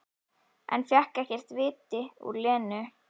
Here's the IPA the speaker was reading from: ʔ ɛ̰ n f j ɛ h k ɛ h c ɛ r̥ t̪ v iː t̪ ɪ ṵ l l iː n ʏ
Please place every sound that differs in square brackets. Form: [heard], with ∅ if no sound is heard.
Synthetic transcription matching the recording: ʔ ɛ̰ n f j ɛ h k ɛ h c ɛ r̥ t̪ v [ɪː] t̪ ɪ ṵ [ɾ] l [ɛː] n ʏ